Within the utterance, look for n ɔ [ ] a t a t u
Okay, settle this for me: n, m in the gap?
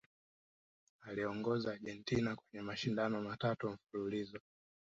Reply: m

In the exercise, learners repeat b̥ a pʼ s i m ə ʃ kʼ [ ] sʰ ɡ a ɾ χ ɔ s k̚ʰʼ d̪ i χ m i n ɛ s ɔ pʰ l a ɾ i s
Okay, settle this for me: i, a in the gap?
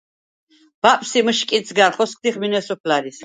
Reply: i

